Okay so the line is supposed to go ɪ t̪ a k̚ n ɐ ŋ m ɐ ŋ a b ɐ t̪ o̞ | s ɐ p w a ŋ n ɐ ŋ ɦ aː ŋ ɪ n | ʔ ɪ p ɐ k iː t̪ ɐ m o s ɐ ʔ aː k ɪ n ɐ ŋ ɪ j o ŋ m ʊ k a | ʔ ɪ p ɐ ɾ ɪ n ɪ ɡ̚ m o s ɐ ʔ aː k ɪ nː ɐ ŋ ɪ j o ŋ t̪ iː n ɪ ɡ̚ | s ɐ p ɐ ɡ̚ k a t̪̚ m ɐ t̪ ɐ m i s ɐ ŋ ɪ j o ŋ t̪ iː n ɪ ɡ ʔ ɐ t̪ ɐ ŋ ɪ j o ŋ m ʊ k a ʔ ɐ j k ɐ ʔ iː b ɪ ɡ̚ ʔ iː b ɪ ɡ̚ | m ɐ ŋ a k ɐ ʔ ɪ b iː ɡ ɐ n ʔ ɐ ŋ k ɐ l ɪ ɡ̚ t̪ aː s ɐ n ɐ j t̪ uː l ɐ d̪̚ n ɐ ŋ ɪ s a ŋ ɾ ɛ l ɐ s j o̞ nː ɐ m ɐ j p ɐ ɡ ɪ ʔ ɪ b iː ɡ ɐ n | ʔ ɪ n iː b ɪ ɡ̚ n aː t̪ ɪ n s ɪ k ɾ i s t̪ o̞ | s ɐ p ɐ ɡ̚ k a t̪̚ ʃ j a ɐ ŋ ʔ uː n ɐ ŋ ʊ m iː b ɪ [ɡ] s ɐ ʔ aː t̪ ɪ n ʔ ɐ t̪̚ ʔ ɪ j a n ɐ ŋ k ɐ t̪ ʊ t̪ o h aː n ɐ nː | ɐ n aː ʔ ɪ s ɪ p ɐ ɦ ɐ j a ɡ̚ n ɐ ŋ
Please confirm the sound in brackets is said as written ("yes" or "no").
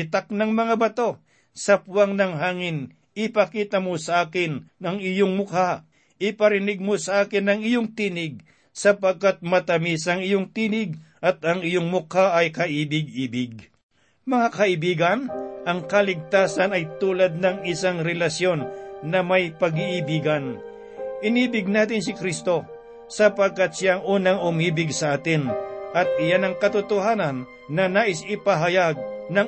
yes